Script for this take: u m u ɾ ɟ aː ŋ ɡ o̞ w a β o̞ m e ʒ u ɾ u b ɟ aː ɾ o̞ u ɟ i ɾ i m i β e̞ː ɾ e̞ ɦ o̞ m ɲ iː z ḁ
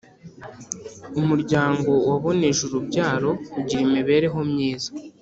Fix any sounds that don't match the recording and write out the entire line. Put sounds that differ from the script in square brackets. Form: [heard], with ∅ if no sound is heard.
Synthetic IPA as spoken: u m u ɾ ɟ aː ŋ ɡ o̞ w a β o̞ [n] e ʒ u ɾ u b ɟ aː ɾ o̞ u ɟ i ɾ i m i β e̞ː ɾ e̞ ɦ o̞ m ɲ iː z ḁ